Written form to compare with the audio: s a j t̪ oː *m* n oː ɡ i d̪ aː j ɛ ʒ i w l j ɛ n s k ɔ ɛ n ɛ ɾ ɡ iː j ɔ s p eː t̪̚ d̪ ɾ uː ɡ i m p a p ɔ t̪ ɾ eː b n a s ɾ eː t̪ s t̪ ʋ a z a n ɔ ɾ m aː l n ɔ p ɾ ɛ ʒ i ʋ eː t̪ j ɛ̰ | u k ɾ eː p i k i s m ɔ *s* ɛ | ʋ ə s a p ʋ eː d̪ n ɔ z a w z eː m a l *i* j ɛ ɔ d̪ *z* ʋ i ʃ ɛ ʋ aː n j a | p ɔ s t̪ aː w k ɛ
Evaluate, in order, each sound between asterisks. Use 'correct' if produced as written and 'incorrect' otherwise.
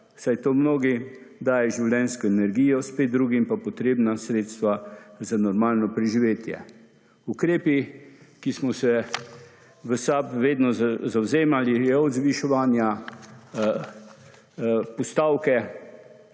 correct, correct, correct, correct

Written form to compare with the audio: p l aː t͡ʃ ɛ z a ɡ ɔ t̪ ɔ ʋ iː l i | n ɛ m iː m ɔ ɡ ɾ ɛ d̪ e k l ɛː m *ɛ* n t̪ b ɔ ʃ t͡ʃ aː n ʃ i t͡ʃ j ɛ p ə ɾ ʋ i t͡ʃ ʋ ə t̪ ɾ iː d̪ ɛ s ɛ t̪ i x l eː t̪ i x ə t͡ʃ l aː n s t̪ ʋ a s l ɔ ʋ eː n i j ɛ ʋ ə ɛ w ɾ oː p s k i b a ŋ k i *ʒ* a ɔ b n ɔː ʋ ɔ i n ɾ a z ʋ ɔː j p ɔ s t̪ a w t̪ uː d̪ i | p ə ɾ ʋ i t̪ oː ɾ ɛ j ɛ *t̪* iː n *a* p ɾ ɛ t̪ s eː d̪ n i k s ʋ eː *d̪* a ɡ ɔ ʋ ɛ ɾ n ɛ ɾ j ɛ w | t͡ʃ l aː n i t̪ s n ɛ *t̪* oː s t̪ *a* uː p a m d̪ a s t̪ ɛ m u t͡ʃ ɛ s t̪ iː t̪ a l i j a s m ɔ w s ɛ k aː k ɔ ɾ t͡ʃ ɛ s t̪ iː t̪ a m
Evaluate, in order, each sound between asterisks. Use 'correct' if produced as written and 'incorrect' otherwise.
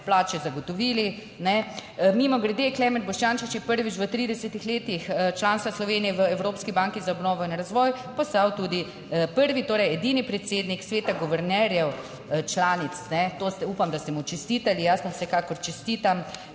correct, incorrect, incorrect, incorrect, incorrect, correct, incorrect

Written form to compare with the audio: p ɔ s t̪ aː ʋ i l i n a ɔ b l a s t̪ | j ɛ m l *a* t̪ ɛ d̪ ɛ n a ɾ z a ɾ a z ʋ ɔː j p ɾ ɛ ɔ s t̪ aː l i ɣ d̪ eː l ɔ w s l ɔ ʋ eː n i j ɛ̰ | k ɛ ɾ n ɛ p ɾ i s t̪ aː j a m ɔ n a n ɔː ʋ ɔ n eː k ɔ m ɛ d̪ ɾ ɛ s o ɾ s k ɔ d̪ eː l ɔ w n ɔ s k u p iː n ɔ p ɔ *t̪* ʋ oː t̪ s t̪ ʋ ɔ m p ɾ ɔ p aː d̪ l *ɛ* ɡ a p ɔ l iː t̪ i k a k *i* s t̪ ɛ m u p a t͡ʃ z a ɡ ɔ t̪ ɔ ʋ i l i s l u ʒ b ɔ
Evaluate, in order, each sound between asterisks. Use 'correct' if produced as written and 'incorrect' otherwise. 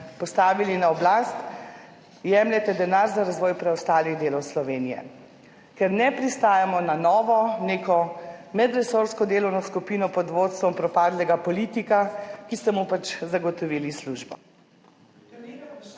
incorrect, incorrect, correct, correct

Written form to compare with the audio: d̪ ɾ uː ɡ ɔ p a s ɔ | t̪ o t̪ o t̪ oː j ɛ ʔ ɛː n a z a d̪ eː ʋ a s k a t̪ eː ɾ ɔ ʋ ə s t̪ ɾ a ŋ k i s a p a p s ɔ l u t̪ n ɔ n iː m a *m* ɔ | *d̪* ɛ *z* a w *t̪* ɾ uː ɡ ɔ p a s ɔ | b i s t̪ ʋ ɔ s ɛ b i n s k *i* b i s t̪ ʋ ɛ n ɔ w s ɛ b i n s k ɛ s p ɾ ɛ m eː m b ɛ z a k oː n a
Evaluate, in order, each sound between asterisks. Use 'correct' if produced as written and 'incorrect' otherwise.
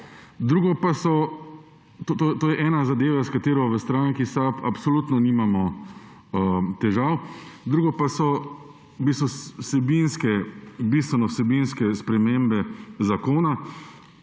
correct, incorrect, incorrect, incorrect, incorrect

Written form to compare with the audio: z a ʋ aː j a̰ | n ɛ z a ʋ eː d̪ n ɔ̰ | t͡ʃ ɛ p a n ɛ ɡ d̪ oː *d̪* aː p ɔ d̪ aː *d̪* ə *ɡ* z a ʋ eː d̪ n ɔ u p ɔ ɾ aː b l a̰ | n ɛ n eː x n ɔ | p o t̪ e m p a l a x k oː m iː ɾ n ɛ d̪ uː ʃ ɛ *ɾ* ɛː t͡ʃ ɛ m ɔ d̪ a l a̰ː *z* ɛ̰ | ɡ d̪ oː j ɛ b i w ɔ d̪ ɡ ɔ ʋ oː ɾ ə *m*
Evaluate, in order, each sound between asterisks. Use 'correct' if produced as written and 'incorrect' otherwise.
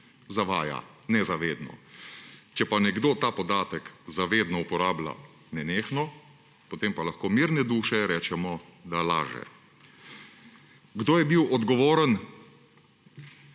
incorrect, incorrect, incorrect, correct, incorrect, incorrect

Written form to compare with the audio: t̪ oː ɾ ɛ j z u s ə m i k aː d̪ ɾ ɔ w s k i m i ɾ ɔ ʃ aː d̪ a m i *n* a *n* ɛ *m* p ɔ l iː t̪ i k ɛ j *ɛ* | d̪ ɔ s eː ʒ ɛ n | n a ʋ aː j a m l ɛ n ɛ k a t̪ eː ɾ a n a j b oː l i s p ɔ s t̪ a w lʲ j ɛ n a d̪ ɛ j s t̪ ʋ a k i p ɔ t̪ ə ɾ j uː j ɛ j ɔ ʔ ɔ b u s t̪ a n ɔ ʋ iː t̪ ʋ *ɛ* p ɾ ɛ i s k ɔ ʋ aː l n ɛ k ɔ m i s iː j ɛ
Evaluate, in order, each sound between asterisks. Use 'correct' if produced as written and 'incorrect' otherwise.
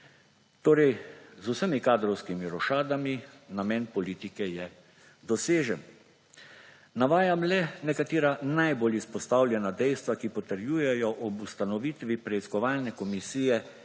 correct, incorrect, incorrect, correct, incorrect

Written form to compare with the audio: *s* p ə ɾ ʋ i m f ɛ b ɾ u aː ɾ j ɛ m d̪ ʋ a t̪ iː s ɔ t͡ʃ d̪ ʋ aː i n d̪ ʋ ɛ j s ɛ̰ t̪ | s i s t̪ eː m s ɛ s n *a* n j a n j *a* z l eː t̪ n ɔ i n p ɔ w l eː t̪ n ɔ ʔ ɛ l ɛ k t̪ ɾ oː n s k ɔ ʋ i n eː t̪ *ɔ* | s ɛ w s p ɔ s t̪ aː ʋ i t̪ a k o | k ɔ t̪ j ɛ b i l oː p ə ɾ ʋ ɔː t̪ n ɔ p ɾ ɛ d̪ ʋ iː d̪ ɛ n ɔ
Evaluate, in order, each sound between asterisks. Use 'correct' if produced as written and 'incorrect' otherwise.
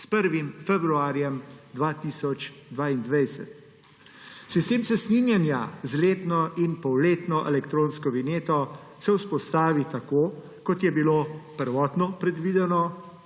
correct, incorrect, correct, correct

